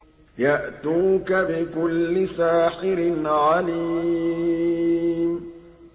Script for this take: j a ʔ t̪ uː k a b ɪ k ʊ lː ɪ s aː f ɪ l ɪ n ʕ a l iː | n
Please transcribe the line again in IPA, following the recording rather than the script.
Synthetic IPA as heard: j a ʔ t̪ uː k a b ɪ k ʊ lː ɪ s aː ħ ɪ ɾ ɪ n ʕ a l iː | m